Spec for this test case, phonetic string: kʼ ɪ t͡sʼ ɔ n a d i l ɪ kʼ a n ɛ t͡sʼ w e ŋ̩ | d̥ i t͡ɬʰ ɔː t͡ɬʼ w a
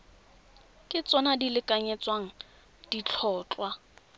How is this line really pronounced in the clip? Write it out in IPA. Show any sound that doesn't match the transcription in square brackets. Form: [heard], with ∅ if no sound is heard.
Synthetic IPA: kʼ ɪ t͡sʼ ɔ n a d i l ɪ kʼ a [ɲ] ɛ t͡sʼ w [a] ŋ̩ | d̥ i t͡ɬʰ ɔː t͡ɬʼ w a

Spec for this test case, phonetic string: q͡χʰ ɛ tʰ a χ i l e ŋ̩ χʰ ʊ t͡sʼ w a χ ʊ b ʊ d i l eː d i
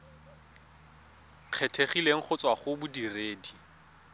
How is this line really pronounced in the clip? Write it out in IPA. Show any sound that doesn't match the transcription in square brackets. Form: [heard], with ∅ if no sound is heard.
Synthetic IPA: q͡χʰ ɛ tʰ [e] χ i l e ŋ̩ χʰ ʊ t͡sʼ w a χ ʊ b ʊ d i [r] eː d i

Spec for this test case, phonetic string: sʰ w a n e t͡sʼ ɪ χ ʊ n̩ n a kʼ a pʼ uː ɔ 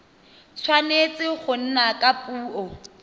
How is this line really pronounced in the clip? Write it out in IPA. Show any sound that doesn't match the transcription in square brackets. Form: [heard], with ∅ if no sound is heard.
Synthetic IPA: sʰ w a n e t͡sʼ ɪ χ ʊ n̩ n a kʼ a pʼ uː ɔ

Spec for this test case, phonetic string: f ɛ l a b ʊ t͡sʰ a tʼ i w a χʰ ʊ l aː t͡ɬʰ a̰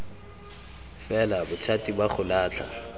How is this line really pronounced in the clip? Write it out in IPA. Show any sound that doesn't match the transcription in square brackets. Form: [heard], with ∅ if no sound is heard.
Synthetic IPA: f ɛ l a b ʊ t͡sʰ a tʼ i [b] a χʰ ʊ l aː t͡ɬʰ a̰

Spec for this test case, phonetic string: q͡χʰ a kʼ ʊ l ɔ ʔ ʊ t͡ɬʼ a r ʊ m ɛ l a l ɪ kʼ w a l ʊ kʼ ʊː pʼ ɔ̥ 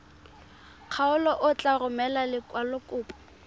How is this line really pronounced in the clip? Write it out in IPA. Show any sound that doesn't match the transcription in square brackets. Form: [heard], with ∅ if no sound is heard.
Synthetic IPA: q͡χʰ a [∅] ʊ l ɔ ʔ ʊ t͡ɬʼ a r ʊ m ɛ l a l ɪ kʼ w a l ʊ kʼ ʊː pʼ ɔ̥

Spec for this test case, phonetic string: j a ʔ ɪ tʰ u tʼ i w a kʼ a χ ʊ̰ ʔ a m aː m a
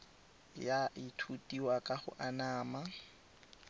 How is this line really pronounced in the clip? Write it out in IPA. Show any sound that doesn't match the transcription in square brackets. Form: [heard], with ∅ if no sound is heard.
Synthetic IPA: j a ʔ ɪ tʰ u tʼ i w a kʼ a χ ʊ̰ ʔ a [n] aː m a

